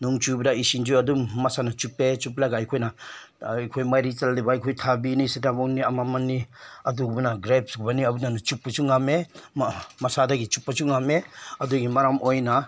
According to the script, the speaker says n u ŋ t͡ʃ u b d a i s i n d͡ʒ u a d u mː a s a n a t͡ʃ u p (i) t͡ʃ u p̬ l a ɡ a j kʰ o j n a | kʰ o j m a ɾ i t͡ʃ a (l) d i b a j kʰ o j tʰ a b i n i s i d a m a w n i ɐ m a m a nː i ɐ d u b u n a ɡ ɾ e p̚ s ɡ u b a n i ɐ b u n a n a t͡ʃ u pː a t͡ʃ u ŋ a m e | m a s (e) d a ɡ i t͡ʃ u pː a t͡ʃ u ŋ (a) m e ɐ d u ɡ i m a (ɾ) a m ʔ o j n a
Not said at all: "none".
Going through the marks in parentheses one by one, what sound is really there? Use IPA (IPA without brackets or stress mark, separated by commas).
e, l, a, a, ɾ